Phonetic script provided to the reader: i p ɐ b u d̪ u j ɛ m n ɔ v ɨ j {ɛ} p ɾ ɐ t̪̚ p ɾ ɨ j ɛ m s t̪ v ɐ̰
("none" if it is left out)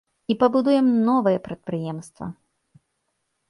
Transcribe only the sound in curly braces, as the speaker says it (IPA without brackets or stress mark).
ɛ